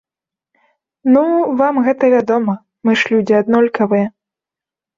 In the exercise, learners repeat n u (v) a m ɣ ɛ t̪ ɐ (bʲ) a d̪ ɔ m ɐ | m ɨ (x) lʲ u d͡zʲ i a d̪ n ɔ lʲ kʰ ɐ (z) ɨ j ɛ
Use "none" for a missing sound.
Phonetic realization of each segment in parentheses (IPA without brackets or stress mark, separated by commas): v, vʲ, ʂ, v